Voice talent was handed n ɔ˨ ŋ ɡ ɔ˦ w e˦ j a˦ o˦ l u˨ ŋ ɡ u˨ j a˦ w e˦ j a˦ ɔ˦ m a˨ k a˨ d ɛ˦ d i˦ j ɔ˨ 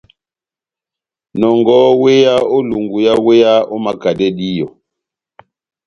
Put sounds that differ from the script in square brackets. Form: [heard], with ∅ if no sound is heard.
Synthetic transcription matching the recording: n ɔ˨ ŋ ɡ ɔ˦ w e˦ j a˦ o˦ l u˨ ŋ ɡ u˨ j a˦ w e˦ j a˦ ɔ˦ m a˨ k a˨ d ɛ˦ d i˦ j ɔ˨